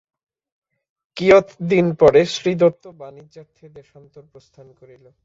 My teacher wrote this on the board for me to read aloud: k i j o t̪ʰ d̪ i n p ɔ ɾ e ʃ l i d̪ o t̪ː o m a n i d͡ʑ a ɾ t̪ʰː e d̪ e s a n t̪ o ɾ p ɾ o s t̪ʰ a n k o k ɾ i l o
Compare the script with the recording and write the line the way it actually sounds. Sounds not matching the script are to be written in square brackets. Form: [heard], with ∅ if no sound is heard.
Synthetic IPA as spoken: k i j o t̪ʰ d̪ i n p ɔ ɾ e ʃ [ɾ] i d̪ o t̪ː o [b] a n i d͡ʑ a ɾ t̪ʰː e d̪ e [ʃ] a n t̪ o ɾ p ɾ o s t̪ʰ a n k o [∅] ɾ i l o